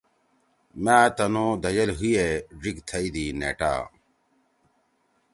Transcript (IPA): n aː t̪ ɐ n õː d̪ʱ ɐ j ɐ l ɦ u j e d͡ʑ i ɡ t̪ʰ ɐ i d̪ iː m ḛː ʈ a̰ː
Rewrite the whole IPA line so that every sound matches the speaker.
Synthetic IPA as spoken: m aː t̪ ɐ n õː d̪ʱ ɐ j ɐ l ɦ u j e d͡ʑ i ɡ t̪ʰ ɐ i d̪ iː n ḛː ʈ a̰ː